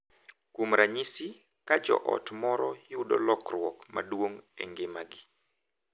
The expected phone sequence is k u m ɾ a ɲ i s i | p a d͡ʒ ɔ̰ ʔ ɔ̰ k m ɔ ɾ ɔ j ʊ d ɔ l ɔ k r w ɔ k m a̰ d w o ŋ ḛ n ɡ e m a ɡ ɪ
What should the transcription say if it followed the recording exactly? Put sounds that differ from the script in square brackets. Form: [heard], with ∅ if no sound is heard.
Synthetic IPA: k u m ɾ a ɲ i s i | [k] a d͡ʒ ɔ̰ ʔ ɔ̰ [t] m ɔ ɾ ɔ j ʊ d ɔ l ɔ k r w ɔ k m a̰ d w o ŋ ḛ [ŋ] ɡ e m a ɡ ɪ